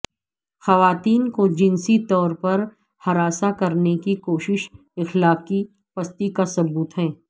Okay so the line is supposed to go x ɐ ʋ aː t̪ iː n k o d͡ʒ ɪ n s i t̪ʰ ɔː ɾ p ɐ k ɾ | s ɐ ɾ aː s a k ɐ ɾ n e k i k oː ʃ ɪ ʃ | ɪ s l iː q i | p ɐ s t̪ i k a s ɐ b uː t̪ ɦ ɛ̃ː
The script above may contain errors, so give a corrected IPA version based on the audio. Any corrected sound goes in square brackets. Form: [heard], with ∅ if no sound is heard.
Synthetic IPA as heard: x ɐ ʋ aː t̪ iː n k o d͡ʒ ɪ n s i [t̪] ɔː ɾ p ɐ [∅] ɾ | [h] ɐ ɾ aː s a k ɐ ɾ n e k i k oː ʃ ɪ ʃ | ɪ [x] l [aː] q i | p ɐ s t̪ i k a s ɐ b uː t̪ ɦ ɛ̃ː